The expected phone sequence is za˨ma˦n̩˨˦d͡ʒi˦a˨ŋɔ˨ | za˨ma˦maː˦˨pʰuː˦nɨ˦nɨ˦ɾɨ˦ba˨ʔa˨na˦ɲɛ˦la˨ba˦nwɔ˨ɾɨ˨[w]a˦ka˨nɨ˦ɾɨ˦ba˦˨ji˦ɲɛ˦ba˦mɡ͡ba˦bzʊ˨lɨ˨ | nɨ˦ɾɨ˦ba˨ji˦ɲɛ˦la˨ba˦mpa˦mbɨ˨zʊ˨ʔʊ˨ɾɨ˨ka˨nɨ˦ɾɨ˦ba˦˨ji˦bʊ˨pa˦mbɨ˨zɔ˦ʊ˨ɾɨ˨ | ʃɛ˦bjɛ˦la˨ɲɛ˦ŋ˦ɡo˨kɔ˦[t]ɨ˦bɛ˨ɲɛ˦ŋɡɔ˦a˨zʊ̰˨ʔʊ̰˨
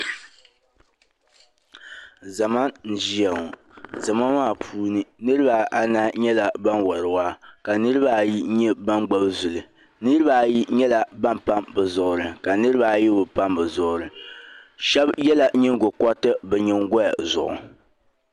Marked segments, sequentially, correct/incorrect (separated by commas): correct, correct